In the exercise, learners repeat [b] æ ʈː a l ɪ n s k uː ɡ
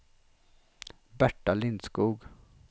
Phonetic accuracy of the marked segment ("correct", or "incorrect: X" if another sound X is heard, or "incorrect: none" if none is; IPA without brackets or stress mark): correct